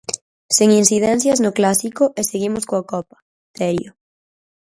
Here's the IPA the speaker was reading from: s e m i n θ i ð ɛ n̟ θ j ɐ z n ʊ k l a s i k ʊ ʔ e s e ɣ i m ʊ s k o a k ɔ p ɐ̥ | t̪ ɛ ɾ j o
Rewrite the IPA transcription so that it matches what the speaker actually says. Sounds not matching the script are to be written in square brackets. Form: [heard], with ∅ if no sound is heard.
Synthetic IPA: s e [ŋ] i n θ i ð ɛ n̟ θ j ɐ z n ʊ k l a s i k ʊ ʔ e s e ɣ i m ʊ s k o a k ɔ p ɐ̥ | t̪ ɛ ɾ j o

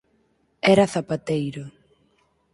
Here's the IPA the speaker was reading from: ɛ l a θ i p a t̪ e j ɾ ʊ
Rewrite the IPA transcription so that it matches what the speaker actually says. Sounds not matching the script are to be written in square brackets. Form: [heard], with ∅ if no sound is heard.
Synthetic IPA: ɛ [ɾ] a θ [a] p a t̪ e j ɾ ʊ

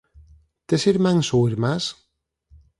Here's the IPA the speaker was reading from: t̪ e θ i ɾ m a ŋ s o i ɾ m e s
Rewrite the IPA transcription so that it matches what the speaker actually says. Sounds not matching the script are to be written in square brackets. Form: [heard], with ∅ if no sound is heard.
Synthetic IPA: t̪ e [s] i ɾ m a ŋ s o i ɾ m [a] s

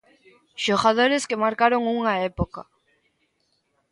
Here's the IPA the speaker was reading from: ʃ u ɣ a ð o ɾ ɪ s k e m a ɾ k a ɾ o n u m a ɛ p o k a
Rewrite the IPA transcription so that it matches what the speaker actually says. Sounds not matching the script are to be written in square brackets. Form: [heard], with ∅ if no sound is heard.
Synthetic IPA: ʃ [o] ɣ a ð o ɾ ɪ s k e m a ɾ k a ɾ o [ŋ] u [ŋ] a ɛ p o k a

